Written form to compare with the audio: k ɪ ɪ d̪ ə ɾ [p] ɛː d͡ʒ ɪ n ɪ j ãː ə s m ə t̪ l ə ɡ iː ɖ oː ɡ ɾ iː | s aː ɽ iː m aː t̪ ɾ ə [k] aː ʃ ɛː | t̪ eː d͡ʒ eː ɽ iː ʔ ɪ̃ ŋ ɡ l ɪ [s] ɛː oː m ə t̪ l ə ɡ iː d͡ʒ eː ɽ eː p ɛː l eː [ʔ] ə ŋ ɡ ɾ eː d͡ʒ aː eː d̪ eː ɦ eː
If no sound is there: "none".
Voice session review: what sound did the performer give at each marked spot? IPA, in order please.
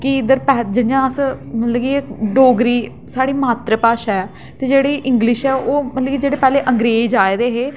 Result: p, p, ʃ, ʔ

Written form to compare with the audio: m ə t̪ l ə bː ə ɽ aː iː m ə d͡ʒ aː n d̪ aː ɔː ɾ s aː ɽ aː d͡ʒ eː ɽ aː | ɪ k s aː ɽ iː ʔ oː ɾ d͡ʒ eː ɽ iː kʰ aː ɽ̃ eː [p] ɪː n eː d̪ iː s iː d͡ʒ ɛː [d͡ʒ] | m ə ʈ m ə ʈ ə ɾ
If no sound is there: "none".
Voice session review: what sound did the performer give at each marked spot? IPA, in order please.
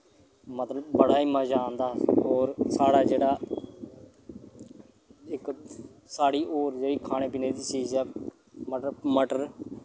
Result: p, none

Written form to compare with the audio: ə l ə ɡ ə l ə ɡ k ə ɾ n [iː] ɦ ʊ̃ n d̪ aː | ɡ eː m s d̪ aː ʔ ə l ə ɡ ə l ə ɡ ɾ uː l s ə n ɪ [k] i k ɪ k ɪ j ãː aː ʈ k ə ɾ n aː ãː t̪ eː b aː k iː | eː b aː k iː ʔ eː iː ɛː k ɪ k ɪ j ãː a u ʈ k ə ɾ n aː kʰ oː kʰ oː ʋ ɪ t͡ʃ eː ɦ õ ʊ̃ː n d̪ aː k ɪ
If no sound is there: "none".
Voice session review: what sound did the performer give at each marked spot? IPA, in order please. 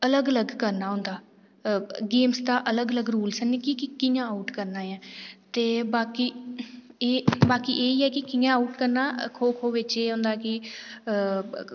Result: aː, k

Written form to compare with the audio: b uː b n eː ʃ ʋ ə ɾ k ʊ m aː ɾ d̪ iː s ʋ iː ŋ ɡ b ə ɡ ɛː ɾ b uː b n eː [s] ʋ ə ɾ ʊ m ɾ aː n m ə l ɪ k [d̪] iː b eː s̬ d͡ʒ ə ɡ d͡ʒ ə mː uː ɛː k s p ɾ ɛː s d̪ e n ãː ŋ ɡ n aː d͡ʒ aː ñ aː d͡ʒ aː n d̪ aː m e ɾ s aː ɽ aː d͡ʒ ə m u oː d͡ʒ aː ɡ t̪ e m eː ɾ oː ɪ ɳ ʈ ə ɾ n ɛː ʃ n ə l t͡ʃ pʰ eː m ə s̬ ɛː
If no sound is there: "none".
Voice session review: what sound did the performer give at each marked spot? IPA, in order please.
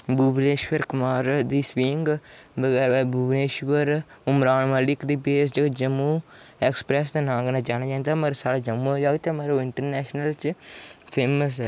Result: ʃ, d̪

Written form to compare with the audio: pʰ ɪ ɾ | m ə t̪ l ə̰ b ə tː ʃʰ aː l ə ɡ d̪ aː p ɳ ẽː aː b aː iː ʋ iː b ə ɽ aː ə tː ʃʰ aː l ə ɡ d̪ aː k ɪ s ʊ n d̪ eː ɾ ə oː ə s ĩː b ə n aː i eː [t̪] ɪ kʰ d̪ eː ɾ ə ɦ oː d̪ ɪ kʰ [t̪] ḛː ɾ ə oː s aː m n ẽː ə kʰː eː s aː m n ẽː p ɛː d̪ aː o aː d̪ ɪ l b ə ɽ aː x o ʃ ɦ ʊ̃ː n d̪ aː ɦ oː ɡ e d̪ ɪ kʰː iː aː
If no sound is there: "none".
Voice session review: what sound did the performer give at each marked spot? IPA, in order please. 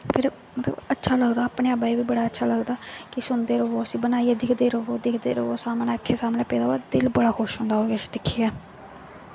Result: d̪, d̪

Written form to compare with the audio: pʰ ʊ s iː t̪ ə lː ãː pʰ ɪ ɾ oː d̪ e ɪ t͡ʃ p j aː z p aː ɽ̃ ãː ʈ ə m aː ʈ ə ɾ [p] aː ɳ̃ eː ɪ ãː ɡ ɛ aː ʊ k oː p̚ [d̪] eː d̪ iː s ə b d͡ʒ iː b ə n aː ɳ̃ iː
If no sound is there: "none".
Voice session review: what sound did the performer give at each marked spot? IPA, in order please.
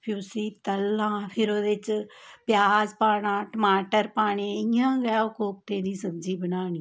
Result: p, t̪

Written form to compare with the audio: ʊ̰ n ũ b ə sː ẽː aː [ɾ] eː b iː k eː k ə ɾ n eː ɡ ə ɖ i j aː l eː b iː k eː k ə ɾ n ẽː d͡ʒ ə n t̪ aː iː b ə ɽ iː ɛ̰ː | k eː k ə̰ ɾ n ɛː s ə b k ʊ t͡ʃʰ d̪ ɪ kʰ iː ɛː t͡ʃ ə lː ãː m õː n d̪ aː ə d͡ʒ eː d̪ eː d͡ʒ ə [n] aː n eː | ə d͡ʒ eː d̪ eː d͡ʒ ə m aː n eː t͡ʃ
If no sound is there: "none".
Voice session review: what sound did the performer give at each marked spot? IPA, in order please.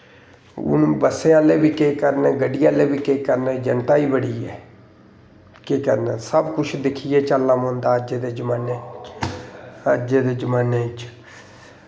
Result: l, m

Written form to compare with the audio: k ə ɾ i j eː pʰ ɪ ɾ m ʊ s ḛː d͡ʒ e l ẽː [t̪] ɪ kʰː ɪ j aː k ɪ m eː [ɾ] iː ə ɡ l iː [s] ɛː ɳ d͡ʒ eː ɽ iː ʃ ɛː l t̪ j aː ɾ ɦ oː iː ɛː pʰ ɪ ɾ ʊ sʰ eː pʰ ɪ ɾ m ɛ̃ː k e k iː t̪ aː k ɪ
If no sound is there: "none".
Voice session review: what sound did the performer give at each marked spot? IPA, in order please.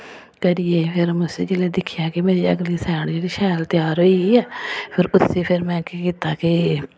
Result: d̪, ɾ, s

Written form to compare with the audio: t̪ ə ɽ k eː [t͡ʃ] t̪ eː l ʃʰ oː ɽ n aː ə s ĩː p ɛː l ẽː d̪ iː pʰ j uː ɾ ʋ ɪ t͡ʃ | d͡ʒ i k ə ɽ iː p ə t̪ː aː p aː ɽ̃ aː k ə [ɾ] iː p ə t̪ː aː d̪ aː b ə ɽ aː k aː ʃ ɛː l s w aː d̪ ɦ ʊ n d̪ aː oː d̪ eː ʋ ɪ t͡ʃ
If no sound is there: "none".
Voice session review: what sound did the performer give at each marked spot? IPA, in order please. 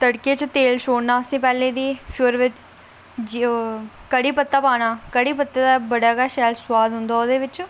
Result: t͡ʃ, ɽ

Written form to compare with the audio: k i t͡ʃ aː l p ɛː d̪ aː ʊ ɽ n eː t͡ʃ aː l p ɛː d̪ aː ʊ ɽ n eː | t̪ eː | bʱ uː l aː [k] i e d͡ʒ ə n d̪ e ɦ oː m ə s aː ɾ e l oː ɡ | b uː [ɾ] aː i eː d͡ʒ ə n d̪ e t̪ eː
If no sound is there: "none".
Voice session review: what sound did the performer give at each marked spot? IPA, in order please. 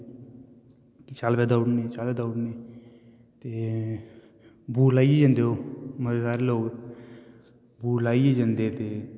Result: none, l

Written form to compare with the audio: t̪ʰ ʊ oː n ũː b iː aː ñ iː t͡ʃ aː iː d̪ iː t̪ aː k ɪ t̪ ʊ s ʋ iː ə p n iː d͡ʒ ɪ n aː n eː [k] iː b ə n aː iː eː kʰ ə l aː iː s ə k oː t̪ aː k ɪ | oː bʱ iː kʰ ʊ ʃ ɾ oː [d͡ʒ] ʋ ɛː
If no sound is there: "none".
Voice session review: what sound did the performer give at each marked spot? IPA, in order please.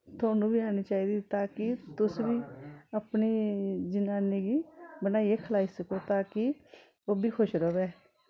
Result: ɡ, none

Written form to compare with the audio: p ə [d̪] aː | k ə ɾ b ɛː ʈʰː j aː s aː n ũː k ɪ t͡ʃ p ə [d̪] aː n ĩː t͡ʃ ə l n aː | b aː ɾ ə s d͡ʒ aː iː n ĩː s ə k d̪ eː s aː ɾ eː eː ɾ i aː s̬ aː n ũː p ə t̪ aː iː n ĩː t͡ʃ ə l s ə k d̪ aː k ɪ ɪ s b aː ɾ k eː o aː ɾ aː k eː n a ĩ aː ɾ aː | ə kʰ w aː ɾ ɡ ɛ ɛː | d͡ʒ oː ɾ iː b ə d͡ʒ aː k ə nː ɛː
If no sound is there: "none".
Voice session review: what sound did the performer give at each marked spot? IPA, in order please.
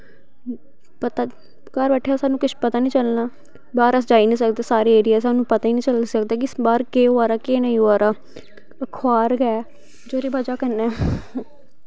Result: t̪, t̪

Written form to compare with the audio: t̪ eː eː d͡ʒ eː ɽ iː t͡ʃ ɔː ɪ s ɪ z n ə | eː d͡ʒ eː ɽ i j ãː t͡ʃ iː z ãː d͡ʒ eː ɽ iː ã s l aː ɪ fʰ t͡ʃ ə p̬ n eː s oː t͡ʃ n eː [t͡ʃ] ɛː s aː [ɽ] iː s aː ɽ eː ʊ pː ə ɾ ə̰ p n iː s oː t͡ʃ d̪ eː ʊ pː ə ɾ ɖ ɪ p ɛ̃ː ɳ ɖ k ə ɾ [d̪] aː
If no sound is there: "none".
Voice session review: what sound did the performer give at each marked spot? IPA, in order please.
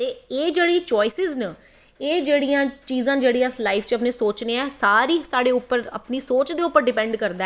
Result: none, ɾ, d̪

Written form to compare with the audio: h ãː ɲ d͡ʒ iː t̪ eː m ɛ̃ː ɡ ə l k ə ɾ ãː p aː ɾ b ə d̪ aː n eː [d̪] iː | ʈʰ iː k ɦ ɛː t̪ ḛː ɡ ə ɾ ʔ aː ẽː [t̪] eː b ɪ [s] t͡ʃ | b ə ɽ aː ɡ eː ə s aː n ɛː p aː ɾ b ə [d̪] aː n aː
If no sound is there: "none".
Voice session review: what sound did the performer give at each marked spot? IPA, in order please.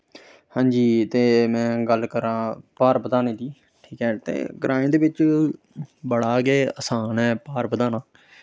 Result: d̪, d̪, none, d̪

